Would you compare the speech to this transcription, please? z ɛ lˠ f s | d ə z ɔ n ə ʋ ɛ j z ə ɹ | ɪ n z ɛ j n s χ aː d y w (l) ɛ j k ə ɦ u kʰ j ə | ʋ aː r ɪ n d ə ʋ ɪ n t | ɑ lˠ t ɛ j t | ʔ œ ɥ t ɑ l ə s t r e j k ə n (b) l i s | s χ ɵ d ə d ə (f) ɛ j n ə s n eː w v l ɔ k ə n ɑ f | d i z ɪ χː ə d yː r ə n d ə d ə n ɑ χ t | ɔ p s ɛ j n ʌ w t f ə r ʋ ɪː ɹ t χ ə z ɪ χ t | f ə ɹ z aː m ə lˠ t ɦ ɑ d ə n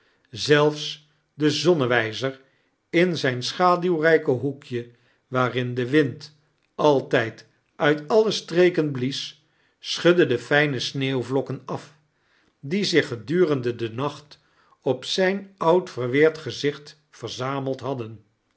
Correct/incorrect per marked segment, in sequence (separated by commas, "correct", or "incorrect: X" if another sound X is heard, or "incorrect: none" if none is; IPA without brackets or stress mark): incorrect: r, correct, correct